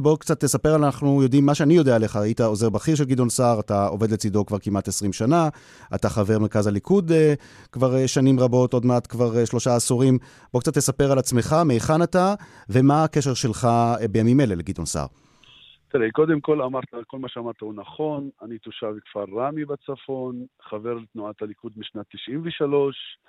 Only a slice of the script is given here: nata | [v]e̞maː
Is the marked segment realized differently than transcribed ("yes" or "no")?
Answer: no